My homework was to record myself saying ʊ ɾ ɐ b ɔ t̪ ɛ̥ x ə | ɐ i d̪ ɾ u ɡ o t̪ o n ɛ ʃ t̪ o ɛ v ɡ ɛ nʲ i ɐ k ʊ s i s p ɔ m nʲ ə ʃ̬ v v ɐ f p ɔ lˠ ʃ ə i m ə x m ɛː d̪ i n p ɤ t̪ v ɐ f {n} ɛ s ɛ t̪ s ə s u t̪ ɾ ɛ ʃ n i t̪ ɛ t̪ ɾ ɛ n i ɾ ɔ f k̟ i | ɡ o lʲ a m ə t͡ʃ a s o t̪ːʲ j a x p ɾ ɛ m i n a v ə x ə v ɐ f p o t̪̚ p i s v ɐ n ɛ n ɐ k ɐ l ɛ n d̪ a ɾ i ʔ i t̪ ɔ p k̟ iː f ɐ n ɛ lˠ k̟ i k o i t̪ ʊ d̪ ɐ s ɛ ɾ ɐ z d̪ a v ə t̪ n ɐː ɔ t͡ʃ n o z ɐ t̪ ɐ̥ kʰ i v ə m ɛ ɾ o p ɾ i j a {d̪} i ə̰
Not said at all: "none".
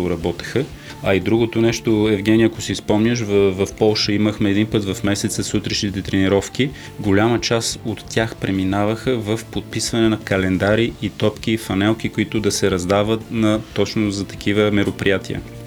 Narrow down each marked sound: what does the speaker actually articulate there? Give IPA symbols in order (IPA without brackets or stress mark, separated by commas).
m, t̪